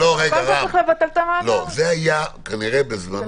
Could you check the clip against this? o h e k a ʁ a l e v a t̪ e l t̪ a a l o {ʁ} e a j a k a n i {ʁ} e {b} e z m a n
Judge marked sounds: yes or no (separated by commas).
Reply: no, yes, yes